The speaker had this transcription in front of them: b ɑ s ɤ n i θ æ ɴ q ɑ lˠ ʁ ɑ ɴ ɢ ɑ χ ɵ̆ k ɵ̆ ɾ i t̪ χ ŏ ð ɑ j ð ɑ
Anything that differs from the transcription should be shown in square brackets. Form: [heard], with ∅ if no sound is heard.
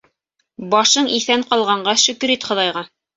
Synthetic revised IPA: b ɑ [ʃ] ɤ [ɴ] i θ æ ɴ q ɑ lˠ ʁ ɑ ɴ ɢ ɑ [ʃ] ɵ̆ k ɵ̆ ɾ i t̪ χ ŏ ð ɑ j [ʁ] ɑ